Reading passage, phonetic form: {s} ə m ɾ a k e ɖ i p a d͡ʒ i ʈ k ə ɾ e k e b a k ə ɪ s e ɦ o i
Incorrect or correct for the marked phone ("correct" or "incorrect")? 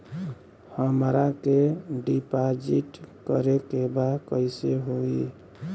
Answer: incorrect